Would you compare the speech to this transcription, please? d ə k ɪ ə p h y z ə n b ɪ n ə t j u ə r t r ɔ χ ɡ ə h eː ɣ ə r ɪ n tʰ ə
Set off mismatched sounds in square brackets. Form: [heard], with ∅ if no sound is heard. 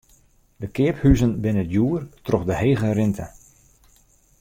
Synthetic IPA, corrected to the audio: d ə k ɪ ə p h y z ə n b ɪ n ə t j u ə r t r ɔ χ [d] ə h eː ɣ ə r ɪ n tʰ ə